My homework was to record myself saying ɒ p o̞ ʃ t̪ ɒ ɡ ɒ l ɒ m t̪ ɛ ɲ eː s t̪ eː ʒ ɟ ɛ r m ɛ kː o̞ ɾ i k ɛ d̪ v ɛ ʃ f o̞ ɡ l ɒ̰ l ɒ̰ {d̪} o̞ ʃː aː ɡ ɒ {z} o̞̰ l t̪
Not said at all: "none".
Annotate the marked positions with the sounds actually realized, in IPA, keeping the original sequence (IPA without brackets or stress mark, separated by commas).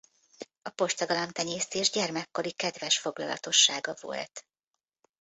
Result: t̪, v